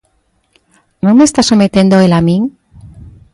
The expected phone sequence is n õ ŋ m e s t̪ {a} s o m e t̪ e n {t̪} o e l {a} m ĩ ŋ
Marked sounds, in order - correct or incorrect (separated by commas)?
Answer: correct, incorrect, correct